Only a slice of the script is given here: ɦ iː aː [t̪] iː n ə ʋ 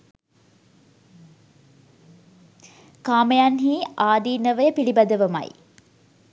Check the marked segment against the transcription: incorrect: d̪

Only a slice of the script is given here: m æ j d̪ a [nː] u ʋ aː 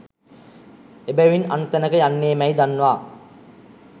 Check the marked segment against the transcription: correct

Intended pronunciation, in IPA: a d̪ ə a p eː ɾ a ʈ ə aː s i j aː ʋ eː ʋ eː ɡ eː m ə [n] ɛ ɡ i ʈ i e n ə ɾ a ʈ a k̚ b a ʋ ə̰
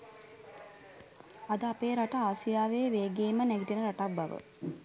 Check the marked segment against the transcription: correct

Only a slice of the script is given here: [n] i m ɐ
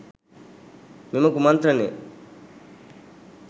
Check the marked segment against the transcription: incorrect: m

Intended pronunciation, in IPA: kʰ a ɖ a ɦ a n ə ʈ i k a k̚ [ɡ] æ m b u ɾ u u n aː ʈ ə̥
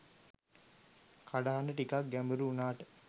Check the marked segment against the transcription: correct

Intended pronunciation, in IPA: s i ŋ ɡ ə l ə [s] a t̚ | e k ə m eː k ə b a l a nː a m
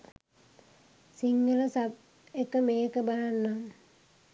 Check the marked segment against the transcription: correct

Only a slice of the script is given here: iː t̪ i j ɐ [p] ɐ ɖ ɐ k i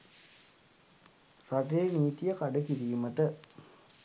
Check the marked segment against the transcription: incorrect: k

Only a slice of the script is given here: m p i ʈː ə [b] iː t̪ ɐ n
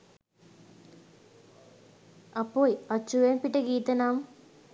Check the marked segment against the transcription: incorrect: ɡ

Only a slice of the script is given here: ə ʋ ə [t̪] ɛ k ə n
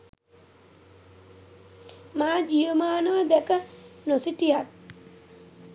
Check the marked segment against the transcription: incorrect: d̪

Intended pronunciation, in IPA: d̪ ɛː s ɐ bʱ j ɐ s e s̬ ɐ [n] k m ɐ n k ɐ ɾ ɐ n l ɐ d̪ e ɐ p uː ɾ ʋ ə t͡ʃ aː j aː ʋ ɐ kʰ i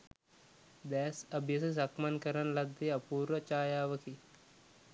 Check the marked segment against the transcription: incorrect: none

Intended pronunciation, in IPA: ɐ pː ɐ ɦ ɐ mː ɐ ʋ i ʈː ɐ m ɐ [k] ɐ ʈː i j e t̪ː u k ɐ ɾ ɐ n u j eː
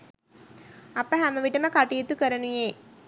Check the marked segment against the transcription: correct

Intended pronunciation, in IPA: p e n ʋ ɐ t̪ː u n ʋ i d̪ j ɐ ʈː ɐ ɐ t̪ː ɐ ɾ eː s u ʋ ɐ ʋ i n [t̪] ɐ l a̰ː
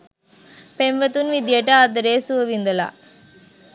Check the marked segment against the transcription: incorrect: d̪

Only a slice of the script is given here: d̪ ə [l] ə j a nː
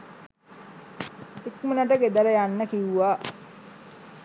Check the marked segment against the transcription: correct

